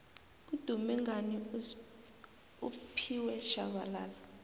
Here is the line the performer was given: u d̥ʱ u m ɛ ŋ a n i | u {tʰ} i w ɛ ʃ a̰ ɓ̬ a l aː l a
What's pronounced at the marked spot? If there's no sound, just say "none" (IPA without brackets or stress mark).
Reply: pʰ